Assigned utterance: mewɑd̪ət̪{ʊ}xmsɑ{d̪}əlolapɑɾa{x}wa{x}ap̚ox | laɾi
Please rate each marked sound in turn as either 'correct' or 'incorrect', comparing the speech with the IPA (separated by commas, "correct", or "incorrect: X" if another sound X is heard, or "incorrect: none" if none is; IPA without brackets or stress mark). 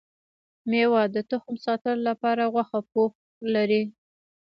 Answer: correct, incorrect: t̪, incorrect: ɣ, correct